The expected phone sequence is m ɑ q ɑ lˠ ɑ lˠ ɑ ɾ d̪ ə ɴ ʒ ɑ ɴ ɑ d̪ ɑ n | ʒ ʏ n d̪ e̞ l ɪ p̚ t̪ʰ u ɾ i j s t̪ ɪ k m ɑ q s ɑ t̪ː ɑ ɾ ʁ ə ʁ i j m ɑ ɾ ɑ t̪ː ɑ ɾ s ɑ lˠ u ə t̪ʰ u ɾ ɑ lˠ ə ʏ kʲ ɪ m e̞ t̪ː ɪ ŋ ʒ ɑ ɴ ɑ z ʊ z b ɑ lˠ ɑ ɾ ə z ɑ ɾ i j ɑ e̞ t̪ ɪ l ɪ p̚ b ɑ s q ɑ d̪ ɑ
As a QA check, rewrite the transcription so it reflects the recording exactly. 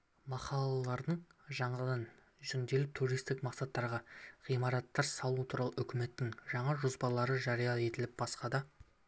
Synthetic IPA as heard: m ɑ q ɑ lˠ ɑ lˠ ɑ ɾ d̪ ə ɴ ʒ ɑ ɴ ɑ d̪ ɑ n | ʒ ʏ n d̪ e̞ l ɪ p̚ t̪ʰ u ɾ i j s t̪ ɪ k m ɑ q s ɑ t̪ː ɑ ɾ ʁ ɑ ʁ i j m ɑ ɾ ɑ t̪ː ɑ ɾ s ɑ lˠ u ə t̪ʰ u ɾ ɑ lˠ ə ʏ kʲ ɪ m e̞ t̪ː ɪ ŋ ʒ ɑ ɴ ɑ ʒ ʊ z b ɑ lˠ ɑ ɾ ə ʒ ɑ ɾ i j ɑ e̞ t̪ ɪ l ɪ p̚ b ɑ s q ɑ d̪ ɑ

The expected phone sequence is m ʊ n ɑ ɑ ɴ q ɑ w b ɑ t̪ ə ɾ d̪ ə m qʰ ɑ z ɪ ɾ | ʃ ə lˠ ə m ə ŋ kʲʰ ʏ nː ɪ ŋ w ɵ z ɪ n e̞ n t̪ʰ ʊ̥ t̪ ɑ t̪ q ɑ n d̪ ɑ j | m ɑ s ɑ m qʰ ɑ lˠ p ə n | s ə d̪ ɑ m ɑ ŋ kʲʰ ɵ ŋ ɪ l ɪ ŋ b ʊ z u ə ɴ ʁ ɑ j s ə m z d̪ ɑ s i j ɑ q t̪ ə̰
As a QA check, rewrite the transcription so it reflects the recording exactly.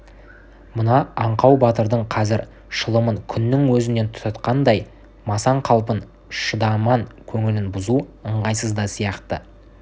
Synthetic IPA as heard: m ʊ n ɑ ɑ ɴ q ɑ w b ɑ t̪ ə ɾ d̪ ə ɴ qʰ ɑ z ɪ ɾ | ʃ ə lˠ ə m ə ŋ kʲʰ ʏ nː ɪ ŋ w ɵ z ɪ n e̞ n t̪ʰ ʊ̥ t̪ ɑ t̪ q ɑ n d̪ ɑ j | m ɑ s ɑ ɴ qʰ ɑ lˠ p ə n | ʃ ə d̪ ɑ m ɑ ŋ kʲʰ ɵ ŋ ɪ l ɪ n b ʊ z u ə ɴ ʁ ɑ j s ə z d̪ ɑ s i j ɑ q t̪ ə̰

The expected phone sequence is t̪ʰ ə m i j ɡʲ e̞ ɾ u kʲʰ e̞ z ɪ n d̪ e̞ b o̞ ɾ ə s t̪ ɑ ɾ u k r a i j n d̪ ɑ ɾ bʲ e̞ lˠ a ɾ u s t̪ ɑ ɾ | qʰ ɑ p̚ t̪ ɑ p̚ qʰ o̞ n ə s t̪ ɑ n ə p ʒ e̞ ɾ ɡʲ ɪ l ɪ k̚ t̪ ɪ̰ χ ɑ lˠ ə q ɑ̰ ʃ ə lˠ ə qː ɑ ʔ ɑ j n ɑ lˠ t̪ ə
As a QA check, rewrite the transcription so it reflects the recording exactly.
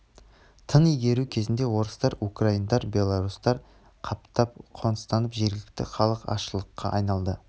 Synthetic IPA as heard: t̪ʰ ə n i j ɡʲ e̞ ɾ u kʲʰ e̞ z ɪ n d̪ e̞ w o̞ ɾ ə s t̪ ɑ ɾ u k r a i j n d̪ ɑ ɾ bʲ e̞ lˠ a ɾ u s t̪ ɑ ɾ | qʰ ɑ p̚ t̪ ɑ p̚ qʰ o̞ n ə s t̪ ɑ n ə p ʒ e̞ ɾ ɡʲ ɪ l ɪ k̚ t̪ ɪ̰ χ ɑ lˠ ə q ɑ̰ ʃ ə lˠ ə qː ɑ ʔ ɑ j n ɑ lˠ d̪ ə

